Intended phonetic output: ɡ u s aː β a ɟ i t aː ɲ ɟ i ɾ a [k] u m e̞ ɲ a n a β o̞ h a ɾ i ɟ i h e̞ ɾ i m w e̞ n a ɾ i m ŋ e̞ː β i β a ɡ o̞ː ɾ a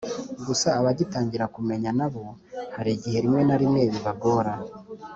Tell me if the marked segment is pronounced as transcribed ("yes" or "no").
yes